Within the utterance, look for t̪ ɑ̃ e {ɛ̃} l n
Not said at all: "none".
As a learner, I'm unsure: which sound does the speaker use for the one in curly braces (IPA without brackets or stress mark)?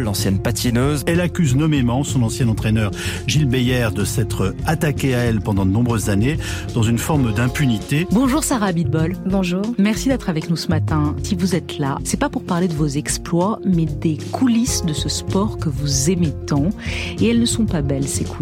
ɛ